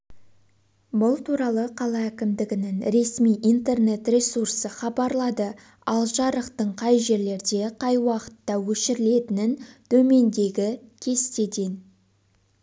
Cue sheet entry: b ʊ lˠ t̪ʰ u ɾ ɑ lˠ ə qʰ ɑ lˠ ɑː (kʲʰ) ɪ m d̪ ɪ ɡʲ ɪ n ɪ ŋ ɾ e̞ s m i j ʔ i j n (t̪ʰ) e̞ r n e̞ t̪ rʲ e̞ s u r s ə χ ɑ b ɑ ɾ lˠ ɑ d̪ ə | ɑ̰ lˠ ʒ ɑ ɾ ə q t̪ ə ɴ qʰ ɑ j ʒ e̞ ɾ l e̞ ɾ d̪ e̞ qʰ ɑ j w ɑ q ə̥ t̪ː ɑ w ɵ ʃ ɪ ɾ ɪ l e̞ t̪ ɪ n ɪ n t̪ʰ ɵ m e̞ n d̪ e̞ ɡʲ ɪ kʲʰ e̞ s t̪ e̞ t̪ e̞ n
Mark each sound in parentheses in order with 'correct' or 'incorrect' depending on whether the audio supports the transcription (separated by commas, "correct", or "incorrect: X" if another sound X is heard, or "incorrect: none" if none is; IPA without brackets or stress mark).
incorrect: kʲ, incorrect: t̪